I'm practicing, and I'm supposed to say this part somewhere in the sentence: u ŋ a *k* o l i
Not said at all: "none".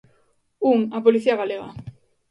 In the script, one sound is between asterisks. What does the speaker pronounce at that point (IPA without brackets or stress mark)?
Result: p